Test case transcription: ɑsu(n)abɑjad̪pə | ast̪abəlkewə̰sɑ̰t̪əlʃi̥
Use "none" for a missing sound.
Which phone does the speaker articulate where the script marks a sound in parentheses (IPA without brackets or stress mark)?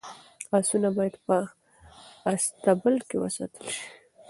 n